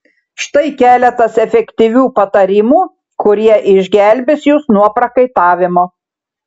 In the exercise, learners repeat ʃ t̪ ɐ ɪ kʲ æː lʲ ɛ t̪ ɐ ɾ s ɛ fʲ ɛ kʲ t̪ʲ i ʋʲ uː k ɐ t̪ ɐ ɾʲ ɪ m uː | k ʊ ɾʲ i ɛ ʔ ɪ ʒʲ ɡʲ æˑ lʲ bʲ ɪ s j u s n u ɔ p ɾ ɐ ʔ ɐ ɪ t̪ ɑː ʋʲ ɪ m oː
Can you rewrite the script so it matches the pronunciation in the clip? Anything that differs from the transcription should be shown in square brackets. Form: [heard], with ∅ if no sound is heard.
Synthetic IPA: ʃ t̪ ɐ ɪ kʲ æː lʲ ɛ t̪ ɐ [∅] s ɛ fʲ ɛ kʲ t̪ʲ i ʋʲ uː [p] ɐ t̪ ɐ ɾʲ ɪ m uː | k ʊ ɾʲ i ɛ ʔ ɪ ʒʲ ɡʲ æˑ lʲ bʲ ɪ s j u s n u ɔ p ɾ ɐ [k] ɐ ɪ t̪ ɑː ʋʲ ɪ m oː

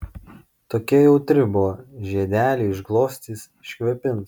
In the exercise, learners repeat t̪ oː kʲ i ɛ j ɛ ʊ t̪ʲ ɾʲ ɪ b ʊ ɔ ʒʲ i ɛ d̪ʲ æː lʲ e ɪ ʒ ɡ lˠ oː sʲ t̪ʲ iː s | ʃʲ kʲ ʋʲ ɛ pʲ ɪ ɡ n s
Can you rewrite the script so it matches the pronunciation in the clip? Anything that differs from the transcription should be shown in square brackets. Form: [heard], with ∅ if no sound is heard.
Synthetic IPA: t̪ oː kʲ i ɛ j ɛ ʊ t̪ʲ ɾʲ ɪ b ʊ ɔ ʒʲ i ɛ d̪ʲ æː lʲ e ɪ ʒ ɡ lˠ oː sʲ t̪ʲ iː s | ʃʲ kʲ ʋʲ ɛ pʲ ɪ [∅] n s

